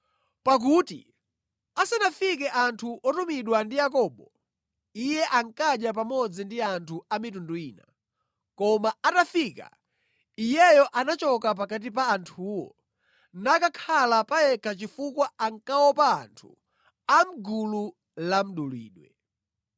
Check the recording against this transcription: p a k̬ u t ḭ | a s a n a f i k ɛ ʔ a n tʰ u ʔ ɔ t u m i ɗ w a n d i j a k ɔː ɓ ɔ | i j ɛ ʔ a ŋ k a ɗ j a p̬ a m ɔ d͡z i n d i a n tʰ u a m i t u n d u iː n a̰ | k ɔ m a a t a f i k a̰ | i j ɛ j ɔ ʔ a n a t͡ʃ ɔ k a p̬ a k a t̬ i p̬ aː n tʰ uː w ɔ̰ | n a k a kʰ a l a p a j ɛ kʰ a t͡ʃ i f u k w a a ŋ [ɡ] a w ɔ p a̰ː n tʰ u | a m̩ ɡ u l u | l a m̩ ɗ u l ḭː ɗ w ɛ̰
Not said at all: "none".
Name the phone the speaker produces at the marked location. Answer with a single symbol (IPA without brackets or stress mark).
k